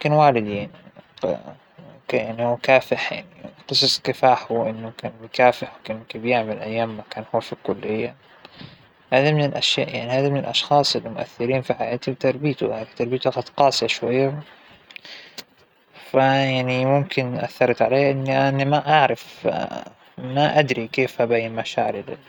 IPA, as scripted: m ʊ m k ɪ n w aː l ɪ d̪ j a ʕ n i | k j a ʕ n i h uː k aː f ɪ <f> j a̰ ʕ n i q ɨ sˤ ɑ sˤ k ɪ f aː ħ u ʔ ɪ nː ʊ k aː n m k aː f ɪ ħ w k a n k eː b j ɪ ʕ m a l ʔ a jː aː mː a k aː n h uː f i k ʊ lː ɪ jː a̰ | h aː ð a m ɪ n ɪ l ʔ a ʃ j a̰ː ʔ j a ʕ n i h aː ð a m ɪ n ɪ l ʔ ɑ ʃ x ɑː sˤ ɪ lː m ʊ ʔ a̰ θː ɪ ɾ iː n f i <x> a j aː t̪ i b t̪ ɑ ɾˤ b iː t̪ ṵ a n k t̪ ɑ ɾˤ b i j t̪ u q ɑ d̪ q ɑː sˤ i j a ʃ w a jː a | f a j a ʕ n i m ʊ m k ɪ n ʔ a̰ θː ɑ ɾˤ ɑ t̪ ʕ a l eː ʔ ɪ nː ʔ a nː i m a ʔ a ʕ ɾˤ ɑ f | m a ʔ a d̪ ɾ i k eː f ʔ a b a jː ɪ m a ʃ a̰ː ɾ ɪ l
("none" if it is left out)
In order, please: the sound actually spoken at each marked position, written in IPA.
ħ, ħ

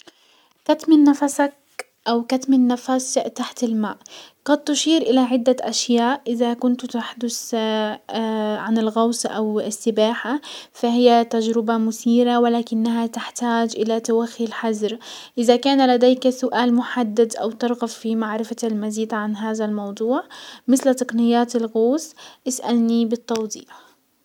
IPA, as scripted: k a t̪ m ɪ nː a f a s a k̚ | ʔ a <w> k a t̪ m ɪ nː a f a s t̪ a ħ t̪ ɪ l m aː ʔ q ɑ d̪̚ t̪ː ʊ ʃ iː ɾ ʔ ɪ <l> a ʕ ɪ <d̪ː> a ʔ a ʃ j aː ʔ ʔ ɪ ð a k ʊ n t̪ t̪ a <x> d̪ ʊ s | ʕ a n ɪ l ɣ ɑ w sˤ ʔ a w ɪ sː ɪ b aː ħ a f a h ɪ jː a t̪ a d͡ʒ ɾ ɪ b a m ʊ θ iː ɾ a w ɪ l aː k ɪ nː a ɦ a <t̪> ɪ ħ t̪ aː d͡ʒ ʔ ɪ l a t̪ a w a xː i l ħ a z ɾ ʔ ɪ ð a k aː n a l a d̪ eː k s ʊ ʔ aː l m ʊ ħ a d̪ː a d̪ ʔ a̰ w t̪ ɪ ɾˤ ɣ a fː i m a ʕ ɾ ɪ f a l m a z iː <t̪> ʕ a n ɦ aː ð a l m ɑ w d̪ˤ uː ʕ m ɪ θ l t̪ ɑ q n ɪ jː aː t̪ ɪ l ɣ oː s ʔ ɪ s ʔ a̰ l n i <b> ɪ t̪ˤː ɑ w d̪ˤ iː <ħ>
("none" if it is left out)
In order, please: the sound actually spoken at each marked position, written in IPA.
w, l, d̪ː, ħ, t̪, d̪, b, ħ

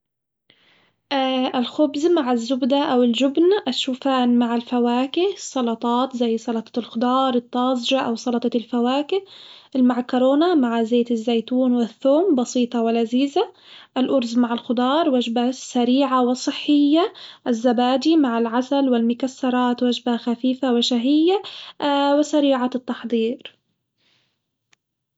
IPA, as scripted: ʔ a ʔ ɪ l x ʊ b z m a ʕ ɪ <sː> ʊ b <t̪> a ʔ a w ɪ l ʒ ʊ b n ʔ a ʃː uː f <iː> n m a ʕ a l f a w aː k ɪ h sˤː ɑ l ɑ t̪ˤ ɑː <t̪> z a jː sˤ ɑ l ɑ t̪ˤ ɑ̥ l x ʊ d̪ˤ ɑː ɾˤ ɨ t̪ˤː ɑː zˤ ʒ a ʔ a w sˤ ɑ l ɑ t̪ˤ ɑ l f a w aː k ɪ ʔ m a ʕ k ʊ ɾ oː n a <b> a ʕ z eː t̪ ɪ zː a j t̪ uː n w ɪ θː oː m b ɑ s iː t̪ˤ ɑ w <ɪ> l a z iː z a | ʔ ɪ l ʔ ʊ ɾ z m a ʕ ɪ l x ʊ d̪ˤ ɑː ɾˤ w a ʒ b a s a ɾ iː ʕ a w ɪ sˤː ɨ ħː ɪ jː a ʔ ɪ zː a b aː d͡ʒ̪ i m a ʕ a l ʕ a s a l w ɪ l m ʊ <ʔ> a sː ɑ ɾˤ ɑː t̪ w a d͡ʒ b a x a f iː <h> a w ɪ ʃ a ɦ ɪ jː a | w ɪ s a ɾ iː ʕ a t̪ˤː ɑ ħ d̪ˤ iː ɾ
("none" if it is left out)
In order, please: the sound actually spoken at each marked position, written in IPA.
zː, d̪, aː, t̪, m, ɪ, k, f

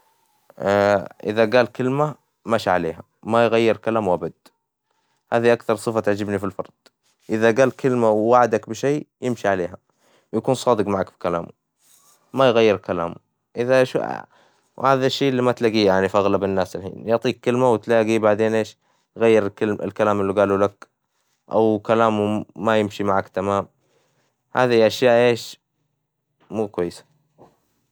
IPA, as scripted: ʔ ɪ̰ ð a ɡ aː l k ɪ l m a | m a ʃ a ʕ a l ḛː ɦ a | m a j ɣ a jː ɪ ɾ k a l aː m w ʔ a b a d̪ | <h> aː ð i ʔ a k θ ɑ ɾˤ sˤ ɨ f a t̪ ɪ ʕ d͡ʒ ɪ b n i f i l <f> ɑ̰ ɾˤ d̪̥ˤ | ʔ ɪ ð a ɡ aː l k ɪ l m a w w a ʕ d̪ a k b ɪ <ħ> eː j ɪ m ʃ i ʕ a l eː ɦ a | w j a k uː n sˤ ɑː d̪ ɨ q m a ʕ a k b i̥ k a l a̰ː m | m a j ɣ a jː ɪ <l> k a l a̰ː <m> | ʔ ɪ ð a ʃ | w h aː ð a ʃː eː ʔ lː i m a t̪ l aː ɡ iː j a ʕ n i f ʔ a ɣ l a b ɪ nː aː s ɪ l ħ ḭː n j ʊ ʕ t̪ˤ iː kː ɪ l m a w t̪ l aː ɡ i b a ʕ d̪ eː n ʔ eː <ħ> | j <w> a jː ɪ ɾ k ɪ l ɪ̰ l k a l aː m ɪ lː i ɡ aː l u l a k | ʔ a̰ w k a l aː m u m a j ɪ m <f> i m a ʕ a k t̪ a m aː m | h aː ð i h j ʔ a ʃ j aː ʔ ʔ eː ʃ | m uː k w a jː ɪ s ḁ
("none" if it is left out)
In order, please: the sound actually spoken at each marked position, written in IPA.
h, f, ʃ, ɾ, m, ʃ, ɣ, ʃ

